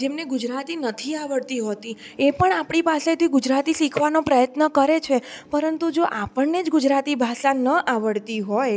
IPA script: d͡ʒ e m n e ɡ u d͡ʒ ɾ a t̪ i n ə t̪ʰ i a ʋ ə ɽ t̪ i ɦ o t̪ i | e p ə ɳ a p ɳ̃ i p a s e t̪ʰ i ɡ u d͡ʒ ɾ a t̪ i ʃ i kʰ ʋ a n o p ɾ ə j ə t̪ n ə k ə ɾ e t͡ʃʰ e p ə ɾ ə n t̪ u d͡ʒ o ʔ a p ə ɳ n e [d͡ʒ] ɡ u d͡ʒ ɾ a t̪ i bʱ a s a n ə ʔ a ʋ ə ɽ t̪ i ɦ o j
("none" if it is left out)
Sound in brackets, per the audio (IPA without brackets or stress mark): d͡ʒ